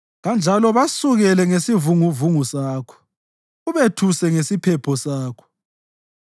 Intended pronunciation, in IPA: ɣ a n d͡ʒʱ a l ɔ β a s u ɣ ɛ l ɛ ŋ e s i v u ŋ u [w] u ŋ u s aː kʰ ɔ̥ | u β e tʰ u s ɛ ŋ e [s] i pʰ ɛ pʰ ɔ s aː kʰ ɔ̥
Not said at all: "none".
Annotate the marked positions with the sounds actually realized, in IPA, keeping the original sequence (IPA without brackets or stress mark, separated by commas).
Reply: v, s